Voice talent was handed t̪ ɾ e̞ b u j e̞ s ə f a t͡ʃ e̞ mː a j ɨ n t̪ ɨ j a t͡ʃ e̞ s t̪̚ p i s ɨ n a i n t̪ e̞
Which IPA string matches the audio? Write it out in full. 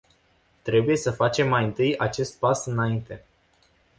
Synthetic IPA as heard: t̪ ɾ e̞ b u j e̞ s ə f a t͡ʃ e̞ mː a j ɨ n t̪ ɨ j a t͡ʃ e̞ s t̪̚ p a s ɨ n a i n t̪ e̞